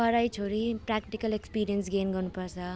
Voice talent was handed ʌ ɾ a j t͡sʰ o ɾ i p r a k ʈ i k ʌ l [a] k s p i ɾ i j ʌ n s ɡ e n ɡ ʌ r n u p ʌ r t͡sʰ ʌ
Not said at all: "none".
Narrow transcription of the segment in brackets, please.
e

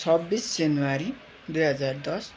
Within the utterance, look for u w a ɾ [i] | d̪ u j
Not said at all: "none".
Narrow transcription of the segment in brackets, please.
i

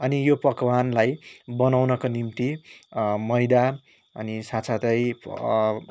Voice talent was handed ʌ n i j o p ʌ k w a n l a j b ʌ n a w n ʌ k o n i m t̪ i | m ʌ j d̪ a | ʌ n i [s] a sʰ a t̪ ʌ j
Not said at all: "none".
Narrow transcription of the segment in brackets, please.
s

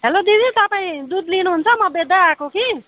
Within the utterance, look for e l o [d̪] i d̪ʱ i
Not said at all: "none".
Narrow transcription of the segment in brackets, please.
d̪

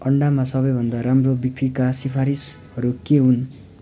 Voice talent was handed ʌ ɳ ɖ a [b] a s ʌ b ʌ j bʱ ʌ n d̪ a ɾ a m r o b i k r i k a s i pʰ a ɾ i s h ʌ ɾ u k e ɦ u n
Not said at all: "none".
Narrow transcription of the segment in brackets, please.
m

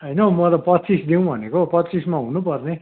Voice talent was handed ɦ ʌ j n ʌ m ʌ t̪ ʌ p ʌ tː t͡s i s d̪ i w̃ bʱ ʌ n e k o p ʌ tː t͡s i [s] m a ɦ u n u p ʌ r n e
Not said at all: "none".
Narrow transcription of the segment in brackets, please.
s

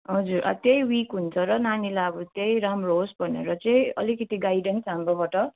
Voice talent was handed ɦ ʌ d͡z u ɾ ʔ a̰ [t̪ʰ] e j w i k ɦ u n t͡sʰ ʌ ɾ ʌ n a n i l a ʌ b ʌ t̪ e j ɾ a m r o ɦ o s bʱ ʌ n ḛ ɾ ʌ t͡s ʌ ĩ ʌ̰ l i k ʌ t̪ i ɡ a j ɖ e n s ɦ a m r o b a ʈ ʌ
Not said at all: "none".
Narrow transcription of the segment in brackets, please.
t̪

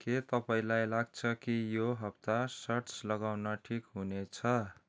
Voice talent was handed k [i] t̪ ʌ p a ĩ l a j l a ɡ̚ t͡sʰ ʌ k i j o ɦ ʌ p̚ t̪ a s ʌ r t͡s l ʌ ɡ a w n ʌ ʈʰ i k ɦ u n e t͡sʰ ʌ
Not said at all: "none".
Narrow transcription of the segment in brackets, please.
e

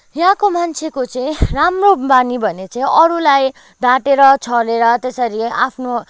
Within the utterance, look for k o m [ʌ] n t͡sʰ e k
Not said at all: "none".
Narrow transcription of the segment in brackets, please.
a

